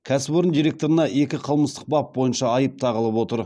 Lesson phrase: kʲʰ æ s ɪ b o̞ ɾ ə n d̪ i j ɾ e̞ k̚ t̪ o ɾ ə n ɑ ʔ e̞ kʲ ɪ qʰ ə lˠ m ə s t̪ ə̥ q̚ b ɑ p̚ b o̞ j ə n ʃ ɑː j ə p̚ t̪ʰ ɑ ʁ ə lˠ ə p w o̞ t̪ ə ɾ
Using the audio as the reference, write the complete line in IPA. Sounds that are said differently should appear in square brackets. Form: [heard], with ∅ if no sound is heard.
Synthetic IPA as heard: kʲʰ æ s ɪ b o̞ ɾ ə n d̪ i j ɾ e̞ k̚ t̪ o ɾ ə n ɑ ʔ e̞ kʲ ɪ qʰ ə lˠ m ə s t̪ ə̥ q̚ b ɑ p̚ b o̞ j ə n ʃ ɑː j ə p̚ t̪ʰ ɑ ʁ ə lˠ ə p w o̞ t̪ ə ɾ